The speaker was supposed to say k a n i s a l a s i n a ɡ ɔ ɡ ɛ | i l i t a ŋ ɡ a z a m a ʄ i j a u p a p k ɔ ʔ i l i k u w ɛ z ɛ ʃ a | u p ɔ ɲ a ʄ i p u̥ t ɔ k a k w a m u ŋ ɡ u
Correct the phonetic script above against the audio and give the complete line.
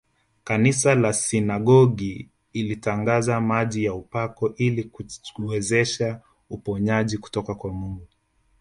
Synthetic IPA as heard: k a n i s a l a s i n a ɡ ɔ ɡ i | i l i t a ŋ ɡ a z a m a ʄ i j a u p a k ɔ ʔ i l i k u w ɛ z ɛ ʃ a | u p ɔ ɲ a ʄ i k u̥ t ɔ k a k w a m u ŋ ɡ u